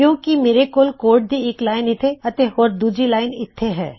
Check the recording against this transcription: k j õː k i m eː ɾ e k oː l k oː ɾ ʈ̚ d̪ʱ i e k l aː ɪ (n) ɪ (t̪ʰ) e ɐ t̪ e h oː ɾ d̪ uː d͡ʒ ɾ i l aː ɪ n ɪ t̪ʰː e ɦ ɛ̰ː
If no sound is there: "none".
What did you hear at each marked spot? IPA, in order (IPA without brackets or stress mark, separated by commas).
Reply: n, t̪ʰ